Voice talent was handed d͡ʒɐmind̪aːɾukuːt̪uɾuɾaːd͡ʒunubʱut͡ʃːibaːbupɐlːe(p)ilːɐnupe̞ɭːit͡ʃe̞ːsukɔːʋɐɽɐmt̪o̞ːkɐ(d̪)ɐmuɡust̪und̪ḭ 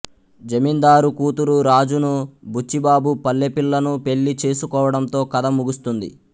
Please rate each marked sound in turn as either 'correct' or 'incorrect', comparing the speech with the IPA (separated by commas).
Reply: correct, correct